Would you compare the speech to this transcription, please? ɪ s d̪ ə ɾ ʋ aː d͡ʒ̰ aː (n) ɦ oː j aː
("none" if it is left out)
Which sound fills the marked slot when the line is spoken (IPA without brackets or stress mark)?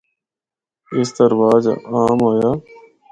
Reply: m